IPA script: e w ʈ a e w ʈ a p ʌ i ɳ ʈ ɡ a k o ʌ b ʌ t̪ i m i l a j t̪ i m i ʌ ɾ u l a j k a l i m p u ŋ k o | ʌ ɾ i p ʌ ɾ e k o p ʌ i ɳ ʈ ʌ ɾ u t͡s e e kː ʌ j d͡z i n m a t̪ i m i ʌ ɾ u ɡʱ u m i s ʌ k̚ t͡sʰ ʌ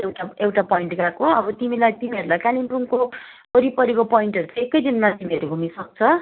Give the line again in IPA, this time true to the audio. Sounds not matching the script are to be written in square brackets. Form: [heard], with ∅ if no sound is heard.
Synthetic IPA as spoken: e w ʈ a e w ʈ a p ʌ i ɳ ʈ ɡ a k o ʌ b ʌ t̪ i m i l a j t̪ i m i ʌ ɾ u l a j k a l i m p u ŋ k o | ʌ ɾ i p ʌ ɾ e k o p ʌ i ɳ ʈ ʌ ɾ u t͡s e e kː ʌ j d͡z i n m a t̪ i m i ʌ ɾ u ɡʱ u m i s ʌ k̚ t͡sʰ ʌ